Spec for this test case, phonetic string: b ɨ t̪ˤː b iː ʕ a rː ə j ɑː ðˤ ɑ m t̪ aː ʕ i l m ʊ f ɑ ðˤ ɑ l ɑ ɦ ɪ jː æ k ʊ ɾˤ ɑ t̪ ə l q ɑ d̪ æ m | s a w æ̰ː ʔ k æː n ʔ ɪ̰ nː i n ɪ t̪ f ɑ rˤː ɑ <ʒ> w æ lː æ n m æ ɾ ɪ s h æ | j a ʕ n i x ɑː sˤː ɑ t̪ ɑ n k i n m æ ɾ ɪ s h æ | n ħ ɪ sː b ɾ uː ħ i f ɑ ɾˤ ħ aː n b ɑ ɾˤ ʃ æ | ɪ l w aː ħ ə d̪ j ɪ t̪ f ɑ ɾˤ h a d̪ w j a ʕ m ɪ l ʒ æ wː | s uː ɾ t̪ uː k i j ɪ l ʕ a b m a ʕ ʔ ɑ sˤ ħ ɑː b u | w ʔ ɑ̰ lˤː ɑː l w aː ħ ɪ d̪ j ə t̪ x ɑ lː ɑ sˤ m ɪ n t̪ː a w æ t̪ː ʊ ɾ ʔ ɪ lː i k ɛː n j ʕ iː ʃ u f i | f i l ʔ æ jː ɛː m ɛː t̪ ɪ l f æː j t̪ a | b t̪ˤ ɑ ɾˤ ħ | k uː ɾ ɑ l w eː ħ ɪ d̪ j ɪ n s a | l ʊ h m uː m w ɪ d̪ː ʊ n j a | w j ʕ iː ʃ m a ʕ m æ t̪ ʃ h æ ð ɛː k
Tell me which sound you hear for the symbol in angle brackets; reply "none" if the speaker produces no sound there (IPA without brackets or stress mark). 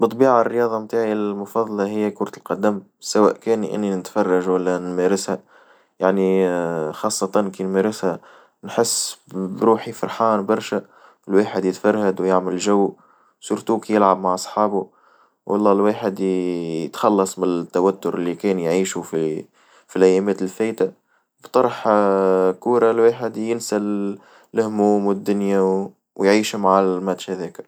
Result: ʒ